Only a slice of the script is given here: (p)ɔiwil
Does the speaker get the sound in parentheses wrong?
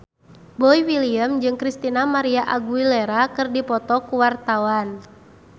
yes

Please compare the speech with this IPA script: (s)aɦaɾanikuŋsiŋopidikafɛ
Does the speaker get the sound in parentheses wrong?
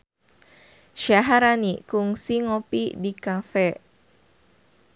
yes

